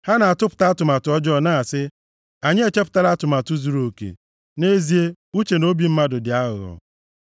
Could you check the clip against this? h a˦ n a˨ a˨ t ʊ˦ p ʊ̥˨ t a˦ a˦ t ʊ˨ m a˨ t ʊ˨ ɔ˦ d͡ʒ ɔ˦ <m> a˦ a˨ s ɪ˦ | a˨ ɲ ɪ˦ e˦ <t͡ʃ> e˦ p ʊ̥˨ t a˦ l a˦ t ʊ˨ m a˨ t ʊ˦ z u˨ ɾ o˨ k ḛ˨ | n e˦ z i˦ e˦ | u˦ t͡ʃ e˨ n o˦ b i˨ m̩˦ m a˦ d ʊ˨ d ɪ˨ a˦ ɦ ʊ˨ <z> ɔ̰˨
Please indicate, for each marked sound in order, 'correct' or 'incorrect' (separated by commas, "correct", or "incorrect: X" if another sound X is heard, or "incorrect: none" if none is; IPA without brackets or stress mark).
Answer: incorrect: n, correct, incorrect: ɣ